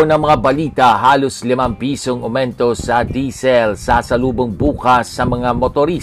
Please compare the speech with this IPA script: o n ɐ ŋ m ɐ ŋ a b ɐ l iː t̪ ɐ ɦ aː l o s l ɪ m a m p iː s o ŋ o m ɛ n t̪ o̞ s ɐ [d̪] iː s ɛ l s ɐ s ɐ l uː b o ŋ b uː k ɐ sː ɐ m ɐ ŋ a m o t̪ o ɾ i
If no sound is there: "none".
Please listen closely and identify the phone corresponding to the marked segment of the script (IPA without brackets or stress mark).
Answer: d̪